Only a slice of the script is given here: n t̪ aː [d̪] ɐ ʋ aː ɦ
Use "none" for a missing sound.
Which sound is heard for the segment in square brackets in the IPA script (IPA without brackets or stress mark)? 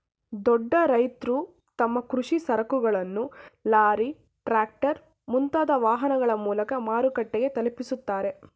d̪